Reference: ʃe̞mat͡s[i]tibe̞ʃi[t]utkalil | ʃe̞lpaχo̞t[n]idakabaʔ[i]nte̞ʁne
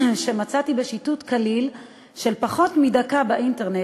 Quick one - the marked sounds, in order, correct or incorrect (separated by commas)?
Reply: incorrect, correct, incorrect, correct